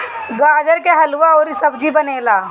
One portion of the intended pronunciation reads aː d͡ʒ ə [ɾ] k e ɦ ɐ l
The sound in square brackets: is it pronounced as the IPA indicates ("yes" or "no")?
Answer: yes